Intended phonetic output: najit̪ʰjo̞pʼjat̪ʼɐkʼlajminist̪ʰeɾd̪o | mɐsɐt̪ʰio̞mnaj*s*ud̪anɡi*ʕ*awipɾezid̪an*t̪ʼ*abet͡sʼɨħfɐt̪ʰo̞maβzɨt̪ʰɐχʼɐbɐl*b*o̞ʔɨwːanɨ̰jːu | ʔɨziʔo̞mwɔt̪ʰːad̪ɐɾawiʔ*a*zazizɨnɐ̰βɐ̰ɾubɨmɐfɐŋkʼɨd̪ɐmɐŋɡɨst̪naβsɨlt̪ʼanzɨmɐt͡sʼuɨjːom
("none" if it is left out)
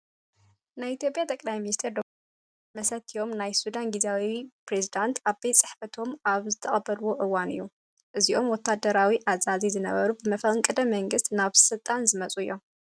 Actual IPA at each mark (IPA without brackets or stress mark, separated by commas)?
s, z, t̪, w, a